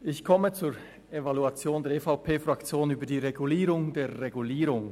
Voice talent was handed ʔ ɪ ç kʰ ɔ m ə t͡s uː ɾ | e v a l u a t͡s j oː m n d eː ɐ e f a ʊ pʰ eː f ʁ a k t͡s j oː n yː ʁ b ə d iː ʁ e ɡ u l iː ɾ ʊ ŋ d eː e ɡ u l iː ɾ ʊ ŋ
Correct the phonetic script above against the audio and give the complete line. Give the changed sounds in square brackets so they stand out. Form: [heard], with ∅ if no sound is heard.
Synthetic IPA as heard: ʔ ɪ ç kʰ ɔ m ə t͡s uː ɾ | e v a l u a t͡s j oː [∅] n d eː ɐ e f a ʊ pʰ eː f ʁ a k t͡s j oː n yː [∅] b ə d iː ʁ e ɡ u l iː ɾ ʊ ŋ d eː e ɡ u l iː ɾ ʊ ŋ